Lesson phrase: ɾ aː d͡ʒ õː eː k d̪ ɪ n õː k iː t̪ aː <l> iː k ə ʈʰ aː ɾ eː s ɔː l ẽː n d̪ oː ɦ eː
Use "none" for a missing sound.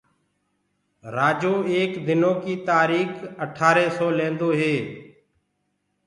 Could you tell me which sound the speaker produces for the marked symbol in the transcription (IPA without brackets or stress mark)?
ɾ